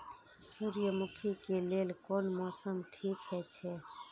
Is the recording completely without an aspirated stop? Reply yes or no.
no